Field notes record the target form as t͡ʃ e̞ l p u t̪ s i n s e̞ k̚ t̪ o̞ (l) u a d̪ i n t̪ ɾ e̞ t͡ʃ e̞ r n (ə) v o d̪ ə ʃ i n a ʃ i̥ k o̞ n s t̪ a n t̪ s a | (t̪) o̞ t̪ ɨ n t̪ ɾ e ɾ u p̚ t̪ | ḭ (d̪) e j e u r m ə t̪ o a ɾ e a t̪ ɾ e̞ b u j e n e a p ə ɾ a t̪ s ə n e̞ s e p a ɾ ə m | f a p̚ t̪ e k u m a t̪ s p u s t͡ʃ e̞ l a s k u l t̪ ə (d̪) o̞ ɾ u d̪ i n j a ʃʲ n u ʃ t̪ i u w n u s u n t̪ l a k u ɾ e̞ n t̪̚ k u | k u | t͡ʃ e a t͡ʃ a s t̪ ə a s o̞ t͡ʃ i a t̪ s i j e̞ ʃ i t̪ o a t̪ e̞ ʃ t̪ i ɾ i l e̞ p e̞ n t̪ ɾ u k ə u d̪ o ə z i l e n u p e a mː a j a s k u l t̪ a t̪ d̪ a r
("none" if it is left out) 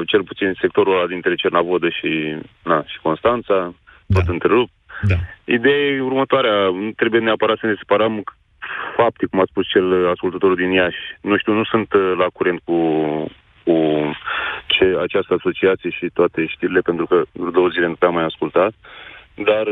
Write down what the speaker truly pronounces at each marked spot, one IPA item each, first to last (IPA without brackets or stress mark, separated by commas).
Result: ɾ, a, t̪, d̪, t̪